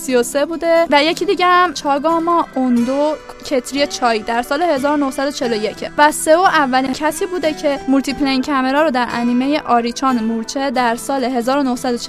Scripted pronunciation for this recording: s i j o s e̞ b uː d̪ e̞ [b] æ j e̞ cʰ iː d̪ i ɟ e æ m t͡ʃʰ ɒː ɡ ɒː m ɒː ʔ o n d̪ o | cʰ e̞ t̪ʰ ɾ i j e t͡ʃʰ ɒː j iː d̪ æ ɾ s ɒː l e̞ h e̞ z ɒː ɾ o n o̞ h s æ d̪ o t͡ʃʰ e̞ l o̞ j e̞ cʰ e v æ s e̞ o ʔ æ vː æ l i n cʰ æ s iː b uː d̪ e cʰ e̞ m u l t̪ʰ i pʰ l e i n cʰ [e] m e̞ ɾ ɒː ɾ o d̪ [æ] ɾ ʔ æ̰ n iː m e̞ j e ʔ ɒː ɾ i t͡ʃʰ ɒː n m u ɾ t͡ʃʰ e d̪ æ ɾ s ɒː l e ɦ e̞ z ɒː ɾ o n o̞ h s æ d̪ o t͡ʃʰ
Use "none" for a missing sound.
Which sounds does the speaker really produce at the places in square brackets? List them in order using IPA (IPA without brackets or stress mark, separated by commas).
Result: v, æ, æ